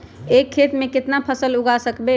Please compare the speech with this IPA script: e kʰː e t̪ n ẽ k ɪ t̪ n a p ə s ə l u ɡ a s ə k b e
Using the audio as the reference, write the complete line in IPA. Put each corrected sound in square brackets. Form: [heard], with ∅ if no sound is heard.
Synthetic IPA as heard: e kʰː e t̪ [m] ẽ k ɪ t̪ n a [pʰ] ə s ə l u ɡ a s ə k b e